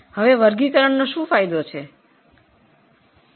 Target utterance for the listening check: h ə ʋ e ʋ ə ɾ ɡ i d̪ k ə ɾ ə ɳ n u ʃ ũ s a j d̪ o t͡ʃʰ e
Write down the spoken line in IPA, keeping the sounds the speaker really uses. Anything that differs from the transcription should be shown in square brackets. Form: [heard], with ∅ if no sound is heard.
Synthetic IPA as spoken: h ə ʋ e ʋ ə ɾ ɡ i [∅] k ə ɾ ə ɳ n [o] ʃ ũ [f] a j d̪ o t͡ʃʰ e